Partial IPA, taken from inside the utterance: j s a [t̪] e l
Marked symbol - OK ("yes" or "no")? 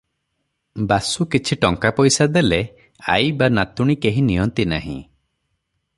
no